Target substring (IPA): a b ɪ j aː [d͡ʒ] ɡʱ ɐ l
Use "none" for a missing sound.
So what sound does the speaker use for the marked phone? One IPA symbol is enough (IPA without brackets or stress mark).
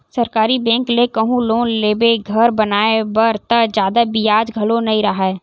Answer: d͡ʒ